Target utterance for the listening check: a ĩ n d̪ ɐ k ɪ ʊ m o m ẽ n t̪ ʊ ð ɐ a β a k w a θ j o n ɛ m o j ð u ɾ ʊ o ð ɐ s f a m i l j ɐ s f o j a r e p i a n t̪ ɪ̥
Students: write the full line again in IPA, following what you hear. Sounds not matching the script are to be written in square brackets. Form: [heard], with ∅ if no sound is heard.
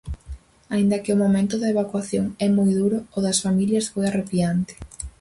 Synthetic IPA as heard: a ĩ n d̪ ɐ k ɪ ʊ m o m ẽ n t̪ ʊ ð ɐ [e] β a k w a θ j o [ŋ] ɛ m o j ð u ɾ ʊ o ð ɐ s f a m i l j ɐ s f o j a r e p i a n t̪ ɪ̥